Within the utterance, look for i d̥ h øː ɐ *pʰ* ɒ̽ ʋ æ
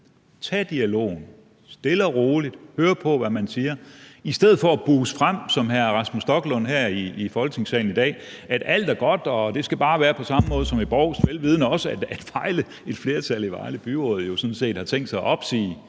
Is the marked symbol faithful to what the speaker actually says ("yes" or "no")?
yes